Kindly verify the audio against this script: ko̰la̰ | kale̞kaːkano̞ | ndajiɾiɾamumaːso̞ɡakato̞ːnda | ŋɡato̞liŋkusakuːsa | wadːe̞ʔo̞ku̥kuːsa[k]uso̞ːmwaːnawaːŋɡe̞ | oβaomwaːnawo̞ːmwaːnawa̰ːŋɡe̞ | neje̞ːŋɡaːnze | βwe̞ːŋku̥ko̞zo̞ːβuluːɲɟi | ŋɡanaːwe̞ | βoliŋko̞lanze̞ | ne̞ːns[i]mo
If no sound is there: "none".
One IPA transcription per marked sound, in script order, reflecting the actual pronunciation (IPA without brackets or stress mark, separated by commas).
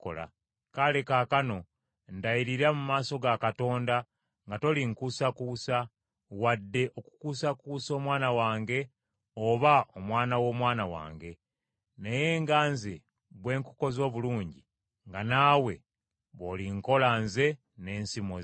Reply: k, i